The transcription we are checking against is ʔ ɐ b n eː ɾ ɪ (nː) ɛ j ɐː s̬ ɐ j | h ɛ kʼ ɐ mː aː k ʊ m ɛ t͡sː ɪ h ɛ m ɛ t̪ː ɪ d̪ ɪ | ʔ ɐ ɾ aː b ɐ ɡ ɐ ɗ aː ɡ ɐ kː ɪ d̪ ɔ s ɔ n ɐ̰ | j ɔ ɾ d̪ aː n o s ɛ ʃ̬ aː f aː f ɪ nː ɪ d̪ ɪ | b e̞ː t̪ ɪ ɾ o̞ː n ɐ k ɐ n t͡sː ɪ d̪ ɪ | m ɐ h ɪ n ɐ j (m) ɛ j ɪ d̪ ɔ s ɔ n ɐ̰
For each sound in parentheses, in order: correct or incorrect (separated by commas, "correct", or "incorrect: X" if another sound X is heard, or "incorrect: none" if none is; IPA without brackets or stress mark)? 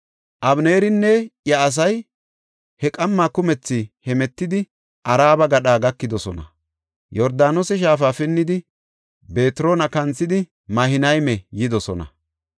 correct, correct